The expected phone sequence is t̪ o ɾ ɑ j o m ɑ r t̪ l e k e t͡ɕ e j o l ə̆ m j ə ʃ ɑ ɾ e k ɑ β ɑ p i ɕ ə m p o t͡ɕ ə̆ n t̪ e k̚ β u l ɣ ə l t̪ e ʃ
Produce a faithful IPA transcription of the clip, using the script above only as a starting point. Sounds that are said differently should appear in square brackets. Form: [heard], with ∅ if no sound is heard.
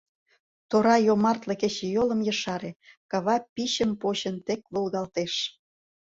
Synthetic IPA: t̪ o ɾ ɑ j o m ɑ r t̪ l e k e t͡ɕ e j o l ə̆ m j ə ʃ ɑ ɾ e k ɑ β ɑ p i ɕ ə m p o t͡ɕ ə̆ n t̪ e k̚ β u l ɣ [ɑ] l t̪ e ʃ